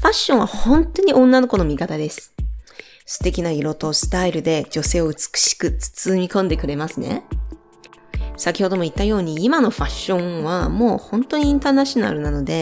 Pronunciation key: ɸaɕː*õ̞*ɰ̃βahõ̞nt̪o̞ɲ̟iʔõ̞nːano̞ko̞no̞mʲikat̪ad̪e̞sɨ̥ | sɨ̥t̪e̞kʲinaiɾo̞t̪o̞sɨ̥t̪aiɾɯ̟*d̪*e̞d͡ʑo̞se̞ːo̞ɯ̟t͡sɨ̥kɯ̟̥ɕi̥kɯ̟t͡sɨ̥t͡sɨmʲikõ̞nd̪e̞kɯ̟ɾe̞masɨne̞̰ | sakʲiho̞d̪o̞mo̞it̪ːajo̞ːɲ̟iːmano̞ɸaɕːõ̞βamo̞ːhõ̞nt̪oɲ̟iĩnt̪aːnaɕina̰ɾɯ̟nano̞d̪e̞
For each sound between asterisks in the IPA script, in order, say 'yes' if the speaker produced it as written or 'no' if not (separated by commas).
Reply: yes, yes